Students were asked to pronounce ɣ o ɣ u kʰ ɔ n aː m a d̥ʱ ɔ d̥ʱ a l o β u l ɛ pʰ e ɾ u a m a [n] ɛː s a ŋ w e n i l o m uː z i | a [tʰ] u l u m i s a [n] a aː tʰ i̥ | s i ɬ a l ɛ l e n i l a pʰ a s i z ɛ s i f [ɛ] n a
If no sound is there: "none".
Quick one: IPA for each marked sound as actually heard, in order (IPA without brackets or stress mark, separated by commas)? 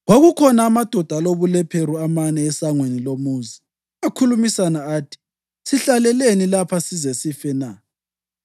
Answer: n, kʰ, n, ɛ